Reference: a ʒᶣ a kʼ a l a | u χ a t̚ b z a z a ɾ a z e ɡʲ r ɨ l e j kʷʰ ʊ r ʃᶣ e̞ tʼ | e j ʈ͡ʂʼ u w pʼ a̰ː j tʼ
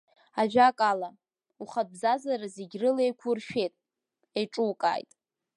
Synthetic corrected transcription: a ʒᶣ a kʼ a l a | u χ a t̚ b z a z a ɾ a z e ɡʲ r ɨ l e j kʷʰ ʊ r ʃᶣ e̞ tʼ | e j ʈ͡ʂʼ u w kʼ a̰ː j tʼ

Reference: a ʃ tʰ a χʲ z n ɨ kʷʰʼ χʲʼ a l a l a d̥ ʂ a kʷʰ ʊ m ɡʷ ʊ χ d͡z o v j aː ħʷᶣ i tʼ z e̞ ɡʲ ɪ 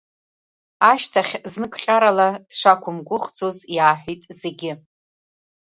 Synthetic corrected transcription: a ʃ tʰ a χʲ z n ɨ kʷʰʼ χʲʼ a ɾ a l a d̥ ʂ a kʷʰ ʊ m ɡʷ ʊ χ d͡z o z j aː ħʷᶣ i tʼ z e̞ ɡʲ ɪ

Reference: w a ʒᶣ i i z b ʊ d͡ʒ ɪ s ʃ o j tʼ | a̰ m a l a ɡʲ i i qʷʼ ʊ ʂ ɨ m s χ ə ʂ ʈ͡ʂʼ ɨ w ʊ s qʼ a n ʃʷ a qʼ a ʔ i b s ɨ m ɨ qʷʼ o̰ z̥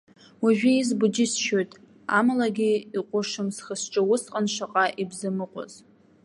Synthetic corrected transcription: w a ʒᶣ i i z b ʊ d͡ʒ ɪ s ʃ o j tʼ | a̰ m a l a ɡʲ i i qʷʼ ʊ ʂ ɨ m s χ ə s ʈ͡ʂʼ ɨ w ʊ s qʼ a n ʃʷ a qʼ a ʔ i b z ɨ m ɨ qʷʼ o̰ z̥

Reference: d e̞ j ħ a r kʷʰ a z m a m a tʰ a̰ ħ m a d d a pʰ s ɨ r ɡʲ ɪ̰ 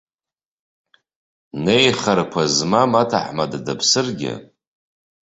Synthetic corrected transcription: n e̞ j χ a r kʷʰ a z m a m a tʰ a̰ ħ m a d d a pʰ s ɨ r ɡʲ ɪ̰

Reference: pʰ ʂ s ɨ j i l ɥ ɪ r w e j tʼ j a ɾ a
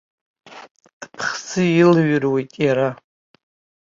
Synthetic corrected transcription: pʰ χ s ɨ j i l ɥ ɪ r w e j tʼ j a ɾ a

